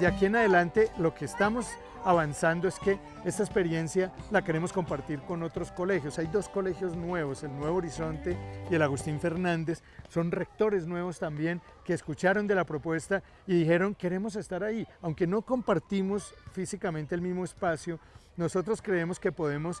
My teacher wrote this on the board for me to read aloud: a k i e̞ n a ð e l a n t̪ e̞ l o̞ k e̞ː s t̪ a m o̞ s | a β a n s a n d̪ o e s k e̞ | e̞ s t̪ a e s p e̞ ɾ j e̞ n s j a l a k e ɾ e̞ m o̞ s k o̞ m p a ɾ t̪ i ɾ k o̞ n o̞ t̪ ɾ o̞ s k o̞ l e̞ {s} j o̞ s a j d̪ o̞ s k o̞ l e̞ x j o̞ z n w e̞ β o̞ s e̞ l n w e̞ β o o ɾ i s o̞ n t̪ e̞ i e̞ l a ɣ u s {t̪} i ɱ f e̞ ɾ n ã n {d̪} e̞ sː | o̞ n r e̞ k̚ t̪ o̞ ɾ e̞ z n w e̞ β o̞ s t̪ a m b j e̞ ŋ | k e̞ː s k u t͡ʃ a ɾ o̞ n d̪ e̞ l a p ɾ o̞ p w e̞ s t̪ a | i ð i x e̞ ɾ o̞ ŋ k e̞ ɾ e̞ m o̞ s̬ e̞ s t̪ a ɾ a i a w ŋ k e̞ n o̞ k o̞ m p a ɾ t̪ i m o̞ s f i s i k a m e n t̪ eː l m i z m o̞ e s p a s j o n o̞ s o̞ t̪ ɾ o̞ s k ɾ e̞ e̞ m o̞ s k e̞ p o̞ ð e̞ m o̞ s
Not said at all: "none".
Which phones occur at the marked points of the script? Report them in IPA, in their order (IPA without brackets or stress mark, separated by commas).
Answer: x, t̪, d̪